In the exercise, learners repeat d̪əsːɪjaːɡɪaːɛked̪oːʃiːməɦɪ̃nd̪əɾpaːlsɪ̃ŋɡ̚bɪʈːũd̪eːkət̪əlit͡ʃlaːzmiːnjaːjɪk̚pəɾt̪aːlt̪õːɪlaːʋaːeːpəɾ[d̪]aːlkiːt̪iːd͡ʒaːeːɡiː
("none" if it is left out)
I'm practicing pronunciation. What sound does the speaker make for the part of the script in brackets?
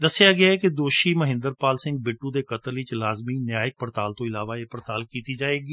t̪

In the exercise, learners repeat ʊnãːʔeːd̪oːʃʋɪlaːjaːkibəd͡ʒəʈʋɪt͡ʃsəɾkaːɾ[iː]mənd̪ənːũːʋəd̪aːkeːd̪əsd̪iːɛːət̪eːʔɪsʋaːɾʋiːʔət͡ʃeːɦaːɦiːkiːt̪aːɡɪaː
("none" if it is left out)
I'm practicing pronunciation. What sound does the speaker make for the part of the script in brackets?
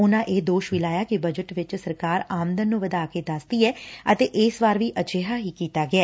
aː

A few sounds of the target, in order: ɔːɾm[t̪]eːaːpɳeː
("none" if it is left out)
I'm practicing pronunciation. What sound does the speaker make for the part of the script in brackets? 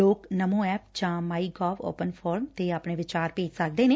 t̪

